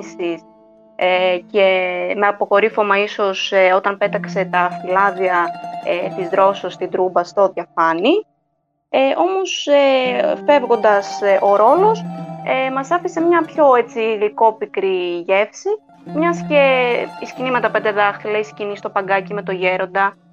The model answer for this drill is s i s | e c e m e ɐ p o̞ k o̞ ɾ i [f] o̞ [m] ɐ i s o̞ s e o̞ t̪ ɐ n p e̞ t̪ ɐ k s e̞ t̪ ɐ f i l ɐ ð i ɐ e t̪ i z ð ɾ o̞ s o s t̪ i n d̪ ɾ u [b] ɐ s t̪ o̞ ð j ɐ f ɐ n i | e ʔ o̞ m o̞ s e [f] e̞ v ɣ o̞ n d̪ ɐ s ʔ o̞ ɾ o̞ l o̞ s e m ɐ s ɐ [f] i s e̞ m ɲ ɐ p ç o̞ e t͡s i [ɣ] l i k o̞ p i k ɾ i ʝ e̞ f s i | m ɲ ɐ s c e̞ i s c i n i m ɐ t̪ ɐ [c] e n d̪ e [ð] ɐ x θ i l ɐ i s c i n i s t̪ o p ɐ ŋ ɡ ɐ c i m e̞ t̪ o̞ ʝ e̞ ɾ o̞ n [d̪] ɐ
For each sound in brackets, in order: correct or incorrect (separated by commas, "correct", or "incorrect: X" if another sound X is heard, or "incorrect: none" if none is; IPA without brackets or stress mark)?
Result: correct, correct, correct, correct, correct, correct, incorrect: p, correct, correct